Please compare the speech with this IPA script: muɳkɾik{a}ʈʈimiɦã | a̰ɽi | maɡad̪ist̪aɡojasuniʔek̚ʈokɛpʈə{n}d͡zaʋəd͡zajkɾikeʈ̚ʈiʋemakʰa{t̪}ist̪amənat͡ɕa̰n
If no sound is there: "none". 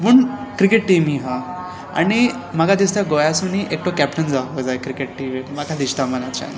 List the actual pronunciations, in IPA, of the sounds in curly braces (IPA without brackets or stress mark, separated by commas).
e, n, d̪